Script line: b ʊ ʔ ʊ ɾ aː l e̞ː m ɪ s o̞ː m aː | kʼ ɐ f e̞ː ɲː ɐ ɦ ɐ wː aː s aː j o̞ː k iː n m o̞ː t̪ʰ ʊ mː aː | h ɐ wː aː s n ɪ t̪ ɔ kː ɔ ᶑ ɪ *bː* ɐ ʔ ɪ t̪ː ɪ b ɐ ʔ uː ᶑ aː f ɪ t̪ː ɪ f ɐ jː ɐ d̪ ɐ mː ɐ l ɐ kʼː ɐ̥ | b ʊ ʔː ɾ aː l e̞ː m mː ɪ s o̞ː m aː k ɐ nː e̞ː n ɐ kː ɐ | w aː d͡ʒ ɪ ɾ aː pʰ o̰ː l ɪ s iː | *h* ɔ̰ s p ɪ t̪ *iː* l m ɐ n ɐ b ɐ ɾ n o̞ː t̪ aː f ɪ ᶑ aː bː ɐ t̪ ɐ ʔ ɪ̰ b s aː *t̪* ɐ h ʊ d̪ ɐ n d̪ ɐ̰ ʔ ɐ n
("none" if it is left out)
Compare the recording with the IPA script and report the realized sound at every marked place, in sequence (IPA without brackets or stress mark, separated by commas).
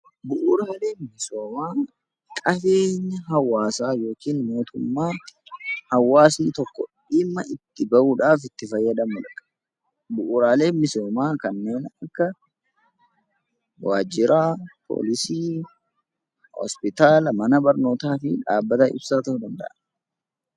mː, h, aː, t̪